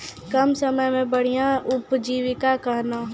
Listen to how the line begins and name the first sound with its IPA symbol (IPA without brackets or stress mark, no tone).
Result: k